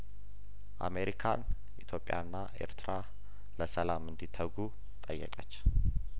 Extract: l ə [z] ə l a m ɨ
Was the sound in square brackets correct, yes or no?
no